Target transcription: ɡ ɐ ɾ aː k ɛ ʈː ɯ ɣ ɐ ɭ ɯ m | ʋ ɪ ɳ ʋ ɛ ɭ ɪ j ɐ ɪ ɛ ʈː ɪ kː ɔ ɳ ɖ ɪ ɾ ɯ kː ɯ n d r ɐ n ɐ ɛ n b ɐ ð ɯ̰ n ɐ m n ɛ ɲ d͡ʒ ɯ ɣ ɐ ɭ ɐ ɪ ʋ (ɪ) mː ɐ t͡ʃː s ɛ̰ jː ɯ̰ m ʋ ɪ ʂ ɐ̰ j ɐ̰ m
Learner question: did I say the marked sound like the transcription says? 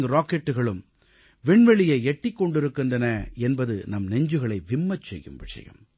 yes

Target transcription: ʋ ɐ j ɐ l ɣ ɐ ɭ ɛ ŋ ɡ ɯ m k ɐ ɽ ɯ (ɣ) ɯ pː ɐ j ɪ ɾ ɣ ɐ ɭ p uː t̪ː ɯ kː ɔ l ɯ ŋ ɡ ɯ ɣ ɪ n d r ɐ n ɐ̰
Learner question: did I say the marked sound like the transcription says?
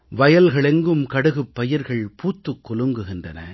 yes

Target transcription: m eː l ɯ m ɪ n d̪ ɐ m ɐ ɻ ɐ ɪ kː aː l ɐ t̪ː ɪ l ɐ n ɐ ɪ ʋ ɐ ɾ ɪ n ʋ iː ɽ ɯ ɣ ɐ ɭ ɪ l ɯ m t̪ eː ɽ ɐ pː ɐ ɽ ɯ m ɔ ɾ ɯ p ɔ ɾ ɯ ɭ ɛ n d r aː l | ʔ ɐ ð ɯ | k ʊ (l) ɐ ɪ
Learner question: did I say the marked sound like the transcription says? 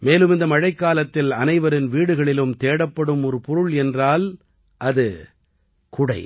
no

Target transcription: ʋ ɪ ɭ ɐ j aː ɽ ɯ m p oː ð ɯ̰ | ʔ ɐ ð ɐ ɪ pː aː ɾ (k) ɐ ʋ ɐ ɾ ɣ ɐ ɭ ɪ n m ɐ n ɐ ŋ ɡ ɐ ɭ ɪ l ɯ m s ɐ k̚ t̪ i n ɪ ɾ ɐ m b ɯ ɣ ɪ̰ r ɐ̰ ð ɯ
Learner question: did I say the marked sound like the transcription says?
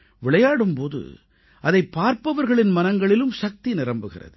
no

